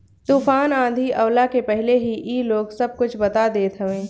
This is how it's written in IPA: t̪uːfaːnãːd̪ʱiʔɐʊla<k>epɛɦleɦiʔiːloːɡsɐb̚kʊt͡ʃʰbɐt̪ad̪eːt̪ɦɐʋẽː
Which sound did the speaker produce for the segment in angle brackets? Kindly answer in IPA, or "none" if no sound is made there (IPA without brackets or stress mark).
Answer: k